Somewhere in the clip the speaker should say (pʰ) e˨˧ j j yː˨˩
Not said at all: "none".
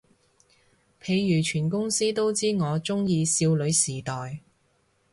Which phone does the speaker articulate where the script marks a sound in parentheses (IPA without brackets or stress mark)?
pʰ